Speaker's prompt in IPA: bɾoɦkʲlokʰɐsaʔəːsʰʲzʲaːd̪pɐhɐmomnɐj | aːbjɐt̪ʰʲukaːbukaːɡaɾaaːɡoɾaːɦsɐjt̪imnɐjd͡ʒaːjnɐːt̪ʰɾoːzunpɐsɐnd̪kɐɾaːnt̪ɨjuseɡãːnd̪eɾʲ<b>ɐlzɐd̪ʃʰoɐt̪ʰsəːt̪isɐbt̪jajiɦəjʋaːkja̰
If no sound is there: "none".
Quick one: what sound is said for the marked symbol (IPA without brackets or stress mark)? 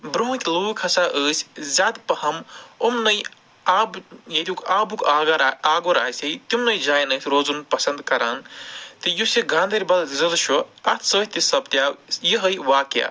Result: b